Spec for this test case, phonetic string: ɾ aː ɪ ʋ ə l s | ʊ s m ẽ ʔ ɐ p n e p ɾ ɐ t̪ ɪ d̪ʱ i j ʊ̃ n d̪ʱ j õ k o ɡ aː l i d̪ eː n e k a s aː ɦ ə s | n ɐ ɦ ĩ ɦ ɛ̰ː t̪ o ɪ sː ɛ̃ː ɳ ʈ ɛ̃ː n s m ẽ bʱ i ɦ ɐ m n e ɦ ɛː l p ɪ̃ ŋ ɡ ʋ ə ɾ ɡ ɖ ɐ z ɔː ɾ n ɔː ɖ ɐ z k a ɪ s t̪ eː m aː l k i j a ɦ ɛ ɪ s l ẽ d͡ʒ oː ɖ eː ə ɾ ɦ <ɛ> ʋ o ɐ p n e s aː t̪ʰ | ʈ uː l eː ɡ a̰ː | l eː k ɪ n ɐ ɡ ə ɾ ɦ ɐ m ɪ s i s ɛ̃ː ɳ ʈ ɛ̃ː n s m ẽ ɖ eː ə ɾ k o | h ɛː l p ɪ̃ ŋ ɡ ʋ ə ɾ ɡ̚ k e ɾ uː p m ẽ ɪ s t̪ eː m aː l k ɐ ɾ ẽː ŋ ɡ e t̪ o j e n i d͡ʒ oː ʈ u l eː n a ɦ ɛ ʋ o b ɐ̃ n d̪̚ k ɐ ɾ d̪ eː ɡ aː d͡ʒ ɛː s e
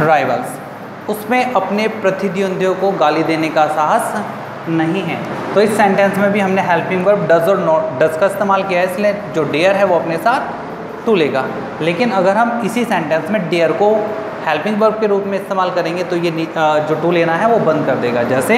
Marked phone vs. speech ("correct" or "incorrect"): correct